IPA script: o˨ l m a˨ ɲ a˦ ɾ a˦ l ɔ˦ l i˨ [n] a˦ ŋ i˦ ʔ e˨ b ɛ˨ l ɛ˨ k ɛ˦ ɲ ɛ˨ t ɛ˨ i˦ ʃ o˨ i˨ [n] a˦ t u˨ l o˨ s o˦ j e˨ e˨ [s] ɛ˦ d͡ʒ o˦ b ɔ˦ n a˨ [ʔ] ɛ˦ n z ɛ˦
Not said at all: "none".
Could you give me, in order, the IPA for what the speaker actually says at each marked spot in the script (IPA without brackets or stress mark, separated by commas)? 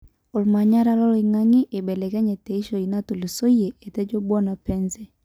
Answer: ŋ, n, t, p